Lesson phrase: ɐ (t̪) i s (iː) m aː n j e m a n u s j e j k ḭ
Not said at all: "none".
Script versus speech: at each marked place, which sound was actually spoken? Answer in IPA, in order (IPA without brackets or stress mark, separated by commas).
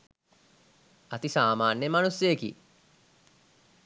t̪, aː